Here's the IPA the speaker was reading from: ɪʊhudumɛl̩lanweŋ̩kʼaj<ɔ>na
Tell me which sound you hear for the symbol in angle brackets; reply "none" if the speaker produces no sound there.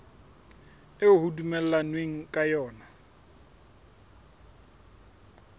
ɔː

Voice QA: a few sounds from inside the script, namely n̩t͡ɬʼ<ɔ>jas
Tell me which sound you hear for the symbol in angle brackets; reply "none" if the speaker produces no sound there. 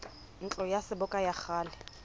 ɔ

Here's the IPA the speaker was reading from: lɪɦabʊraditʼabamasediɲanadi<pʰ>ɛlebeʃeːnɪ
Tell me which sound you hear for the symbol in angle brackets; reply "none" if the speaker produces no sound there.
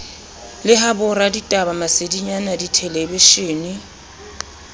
tʰ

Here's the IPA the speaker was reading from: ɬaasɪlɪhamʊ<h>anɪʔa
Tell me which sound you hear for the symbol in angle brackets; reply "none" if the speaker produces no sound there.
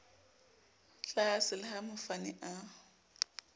f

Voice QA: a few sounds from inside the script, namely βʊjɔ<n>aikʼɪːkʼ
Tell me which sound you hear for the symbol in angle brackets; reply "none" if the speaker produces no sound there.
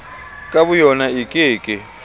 n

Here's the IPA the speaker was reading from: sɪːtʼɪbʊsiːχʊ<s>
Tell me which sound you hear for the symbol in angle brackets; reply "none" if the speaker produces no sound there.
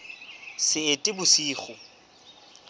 none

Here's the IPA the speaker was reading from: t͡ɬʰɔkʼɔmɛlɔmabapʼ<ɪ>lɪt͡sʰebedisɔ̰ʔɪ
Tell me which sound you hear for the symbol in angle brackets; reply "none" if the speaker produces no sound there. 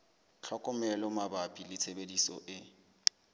i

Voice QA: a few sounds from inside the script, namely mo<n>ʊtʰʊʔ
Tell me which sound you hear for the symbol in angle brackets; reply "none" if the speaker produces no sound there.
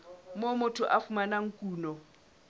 m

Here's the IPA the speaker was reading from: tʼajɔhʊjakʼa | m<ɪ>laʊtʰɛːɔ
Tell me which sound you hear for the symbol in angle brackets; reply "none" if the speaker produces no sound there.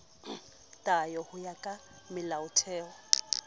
ɪ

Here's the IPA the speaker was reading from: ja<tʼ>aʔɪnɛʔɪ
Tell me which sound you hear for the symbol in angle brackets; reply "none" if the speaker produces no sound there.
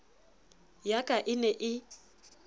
kʼ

